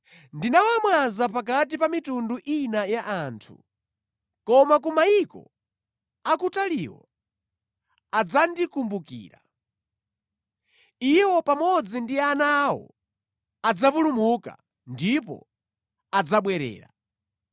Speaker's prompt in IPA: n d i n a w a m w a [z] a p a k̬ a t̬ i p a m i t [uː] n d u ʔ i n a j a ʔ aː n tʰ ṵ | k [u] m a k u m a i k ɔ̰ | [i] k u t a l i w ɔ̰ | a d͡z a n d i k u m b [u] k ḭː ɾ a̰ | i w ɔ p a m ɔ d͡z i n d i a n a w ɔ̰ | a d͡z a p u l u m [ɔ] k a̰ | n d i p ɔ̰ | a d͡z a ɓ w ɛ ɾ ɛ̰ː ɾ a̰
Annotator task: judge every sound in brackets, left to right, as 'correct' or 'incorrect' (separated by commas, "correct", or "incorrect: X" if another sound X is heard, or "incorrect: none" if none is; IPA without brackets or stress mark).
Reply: correct, incorrect: u, incorrect: ɔ, incorrect: a, correct, incorrect: u